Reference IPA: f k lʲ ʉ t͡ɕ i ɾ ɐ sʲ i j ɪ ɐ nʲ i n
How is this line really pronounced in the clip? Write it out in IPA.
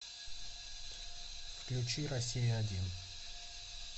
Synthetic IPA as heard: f k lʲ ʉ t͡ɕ i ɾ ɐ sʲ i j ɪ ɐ dʲ i n